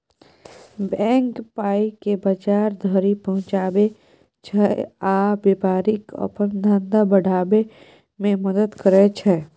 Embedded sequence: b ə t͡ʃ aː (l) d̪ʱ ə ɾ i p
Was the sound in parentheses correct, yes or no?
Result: no